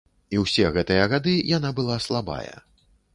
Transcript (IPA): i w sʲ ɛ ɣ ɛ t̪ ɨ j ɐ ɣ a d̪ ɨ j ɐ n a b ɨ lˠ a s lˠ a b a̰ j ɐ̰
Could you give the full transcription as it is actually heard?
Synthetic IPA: i w sʲ ɛ ɣ ɛ t̪ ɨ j ɐ ɣ a d̪ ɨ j a n a b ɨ lˠ a s lˠ a b a̰ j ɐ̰